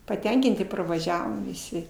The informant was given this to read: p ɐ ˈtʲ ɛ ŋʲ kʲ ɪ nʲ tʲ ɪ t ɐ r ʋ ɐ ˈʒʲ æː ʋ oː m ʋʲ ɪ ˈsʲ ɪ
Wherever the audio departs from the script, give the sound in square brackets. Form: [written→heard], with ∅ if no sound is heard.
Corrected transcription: p ɐ ˈtʲ ɛ ŋʲ kʲ ɪ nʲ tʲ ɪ [t→p] ɐ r ʋ ɐ ˈʒʲ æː ʋ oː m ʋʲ ɪ ˈsʲ ɪ